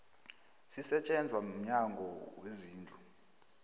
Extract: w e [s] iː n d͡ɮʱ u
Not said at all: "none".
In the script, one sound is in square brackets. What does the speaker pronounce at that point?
z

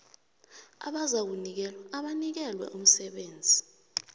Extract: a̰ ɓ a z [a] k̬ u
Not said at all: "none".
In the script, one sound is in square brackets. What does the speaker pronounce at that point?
a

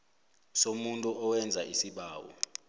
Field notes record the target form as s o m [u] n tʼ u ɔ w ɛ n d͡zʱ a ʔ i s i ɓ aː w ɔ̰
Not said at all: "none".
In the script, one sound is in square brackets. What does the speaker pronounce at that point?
u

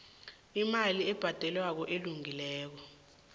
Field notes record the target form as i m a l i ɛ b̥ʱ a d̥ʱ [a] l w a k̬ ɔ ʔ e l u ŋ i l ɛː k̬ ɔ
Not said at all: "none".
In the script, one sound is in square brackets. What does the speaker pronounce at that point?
ɛ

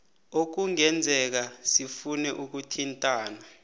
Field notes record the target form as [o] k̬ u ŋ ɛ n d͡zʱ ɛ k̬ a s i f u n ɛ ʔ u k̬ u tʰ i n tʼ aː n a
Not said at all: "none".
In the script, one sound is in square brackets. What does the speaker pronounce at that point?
o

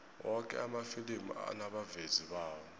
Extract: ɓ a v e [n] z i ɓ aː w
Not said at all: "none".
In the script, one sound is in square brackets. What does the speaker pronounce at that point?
none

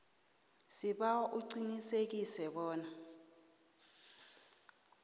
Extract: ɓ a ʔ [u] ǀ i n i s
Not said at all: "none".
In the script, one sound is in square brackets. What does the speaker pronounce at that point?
u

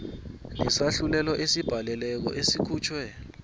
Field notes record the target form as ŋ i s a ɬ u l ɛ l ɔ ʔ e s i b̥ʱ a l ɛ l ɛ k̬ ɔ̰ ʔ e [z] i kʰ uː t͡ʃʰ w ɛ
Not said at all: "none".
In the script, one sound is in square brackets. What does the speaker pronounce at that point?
s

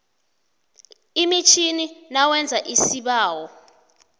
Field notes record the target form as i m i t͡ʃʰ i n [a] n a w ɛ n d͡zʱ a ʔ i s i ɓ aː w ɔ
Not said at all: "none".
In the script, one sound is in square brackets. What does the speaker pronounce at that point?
i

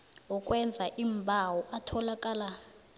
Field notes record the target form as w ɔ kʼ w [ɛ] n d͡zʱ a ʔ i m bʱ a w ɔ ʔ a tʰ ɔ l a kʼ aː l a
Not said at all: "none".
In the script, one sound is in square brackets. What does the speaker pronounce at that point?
ɛ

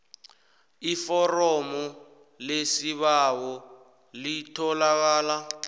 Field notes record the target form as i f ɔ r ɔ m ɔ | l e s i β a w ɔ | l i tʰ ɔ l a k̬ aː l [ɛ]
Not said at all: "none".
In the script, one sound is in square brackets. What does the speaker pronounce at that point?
a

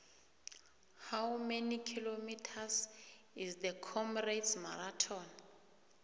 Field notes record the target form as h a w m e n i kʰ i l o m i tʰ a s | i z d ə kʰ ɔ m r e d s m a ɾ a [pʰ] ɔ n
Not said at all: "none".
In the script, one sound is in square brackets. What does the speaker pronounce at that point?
tʰ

